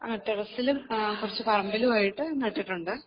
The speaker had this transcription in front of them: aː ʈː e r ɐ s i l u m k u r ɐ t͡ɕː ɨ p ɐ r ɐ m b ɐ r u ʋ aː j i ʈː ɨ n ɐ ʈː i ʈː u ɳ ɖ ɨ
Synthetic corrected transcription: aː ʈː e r ɐ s i l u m k u r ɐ t͡ɕː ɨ p ɐ r ɐ m b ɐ l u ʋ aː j i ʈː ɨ n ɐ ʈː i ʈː u ɳ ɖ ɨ

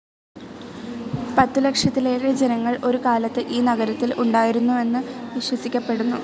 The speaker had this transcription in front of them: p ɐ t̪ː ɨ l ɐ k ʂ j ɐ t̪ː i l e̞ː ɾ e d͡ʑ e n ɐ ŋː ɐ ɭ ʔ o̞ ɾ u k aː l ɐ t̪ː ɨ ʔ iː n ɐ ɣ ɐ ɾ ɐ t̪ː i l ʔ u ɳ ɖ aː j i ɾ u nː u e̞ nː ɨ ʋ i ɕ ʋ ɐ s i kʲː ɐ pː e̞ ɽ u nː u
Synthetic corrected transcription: p ɐ t̪ː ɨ l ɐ k ʂ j ɐ t̪ː i l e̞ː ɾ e d͡ʑ e n ɐ ŋː ɐ ɭ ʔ o̞ ɾ u k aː l ɐ t̪ː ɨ ʔ iː n ɐ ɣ ɐ ɾ ɐ t̪ː i l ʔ u ɳ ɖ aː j i ɾ u nː u e̞ nː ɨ ʋ i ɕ w ɐ s i kʲː ɐ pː e̞ ɽ u nː u

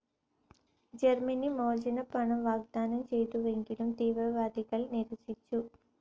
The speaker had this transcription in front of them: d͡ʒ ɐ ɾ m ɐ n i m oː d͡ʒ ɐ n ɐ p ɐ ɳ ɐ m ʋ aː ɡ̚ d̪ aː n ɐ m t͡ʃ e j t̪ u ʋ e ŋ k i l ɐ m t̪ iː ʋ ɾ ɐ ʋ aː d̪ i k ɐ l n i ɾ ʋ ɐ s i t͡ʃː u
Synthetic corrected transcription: d͡ʒ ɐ ɾ m ɐ n i m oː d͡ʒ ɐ n ɐ p ɐ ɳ ɐ m ʋ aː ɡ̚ d̪ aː n ɐ m t͡ʃ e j t̪ u ʋ e ŋ k i l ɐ m t̪ iː ʋ ɾ ɐ ʋ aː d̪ i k ɐ l n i ɾ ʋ ɐ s i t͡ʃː u

